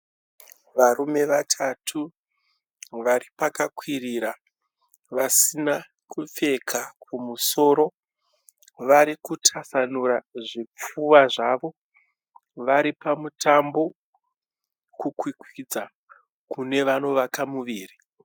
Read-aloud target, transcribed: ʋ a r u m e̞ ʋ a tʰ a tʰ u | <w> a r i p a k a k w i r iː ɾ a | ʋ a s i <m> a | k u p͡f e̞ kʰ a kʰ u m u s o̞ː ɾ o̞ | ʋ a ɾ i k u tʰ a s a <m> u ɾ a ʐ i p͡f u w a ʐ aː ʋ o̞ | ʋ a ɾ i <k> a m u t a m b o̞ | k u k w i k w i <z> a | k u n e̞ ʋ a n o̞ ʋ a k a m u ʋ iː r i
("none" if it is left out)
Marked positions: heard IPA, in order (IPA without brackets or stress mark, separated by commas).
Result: ʋ, n, n, p, d͡z